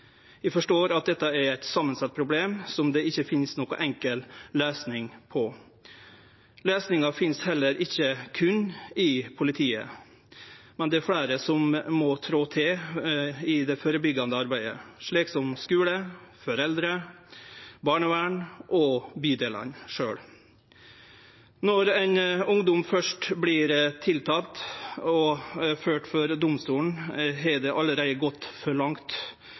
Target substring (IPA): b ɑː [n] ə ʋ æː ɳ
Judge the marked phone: incorrect: ɳ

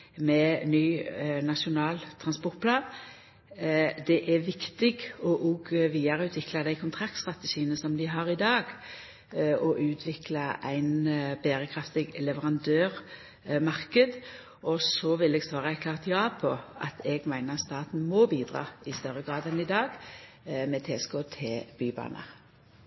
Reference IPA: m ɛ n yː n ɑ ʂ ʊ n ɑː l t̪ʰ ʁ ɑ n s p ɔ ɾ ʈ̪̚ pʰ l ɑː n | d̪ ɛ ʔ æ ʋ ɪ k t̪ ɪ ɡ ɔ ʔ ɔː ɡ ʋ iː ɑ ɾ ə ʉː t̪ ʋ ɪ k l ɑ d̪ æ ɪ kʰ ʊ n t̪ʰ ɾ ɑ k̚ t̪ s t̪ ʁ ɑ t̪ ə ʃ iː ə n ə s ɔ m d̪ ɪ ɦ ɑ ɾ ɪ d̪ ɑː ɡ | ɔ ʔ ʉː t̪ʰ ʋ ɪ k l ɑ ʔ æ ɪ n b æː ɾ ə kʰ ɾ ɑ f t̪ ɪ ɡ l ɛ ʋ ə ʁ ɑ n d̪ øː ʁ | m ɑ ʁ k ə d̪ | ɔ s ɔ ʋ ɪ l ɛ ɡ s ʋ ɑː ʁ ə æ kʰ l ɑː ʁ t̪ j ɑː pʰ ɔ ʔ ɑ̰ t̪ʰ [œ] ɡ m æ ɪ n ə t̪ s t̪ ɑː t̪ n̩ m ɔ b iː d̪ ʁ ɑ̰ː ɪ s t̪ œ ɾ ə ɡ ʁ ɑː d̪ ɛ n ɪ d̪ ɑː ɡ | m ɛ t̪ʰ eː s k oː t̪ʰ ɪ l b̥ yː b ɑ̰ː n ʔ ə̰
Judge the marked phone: incorrect: ɛ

